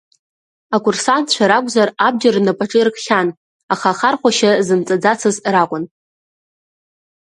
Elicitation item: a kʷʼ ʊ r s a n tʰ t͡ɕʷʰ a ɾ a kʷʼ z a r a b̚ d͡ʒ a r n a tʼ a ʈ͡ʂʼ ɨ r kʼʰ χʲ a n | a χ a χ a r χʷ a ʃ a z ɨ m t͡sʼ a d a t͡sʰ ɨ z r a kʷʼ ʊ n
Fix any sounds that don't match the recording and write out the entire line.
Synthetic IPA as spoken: a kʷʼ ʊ r s a n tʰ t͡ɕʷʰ a ɾ a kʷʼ z a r a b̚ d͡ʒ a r n a pʼ a ʈ͡ʂʼ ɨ r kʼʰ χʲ a n | a χ a χ a r χʷ a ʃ a z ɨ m t͡sʼ a d͡z a t͡sʰ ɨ z r a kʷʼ ʊ n